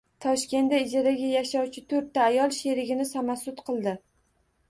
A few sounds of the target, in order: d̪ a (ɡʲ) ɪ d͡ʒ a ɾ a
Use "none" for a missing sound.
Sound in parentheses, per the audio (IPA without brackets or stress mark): none